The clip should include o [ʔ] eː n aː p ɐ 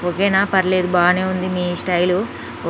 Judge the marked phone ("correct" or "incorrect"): incorrect